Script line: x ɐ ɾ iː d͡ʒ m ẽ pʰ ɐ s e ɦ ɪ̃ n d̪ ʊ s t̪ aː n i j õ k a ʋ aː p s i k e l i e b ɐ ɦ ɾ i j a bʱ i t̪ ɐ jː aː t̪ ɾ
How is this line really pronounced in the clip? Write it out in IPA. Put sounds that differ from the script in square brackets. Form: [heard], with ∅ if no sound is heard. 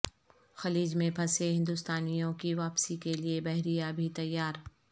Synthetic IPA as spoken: x ɐ [l] iː d͡ʒ m ẽ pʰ ɐ s e ɦ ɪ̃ n d̪ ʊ s t̪ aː n i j õ k [i] ʋ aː p s i k e l i e b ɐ ɦ ɾ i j a bʱ i t̪ ɐ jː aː [∅] ɾ